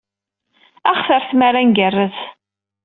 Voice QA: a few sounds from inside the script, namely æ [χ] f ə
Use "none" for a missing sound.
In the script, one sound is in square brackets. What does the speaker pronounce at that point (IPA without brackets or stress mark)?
χ